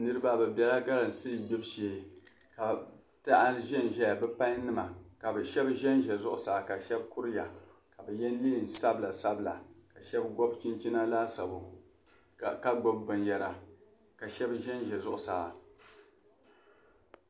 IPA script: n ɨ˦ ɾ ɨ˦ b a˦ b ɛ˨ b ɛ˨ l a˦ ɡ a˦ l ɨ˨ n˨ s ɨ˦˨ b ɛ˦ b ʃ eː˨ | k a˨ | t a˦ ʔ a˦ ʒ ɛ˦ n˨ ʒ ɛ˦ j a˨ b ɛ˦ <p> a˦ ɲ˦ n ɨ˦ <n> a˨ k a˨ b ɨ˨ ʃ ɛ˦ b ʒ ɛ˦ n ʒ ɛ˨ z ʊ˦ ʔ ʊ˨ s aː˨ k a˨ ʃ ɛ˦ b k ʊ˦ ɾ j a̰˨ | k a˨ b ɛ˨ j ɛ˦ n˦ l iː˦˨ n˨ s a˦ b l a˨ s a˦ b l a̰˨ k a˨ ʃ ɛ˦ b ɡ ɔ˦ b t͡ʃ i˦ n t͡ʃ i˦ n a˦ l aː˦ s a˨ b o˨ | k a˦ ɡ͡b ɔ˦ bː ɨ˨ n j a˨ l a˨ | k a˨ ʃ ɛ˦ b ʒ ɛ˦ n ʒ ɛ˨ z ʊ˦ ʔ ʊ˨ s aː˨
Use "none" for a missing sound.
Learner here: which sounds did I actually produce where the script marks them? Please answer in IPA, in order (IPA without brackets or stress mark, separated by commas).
p, m